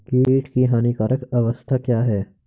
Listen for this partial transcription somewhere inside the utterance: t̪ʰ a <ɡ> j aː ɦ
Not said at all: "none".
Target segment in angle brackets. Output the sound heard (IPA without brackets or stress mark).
k